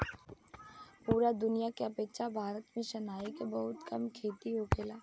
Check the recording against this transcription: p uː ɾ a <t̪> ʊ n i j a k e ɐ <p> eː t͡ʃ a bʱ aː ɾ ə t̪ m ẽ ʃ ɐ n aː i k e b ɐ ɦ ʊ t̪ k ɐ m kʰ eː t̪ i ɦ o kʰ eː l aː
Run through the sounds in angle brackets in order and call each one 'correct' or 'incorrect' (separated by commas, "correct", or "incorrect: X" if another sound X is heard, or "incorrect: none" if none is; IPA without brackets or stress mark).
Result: incorrect: d̪, correct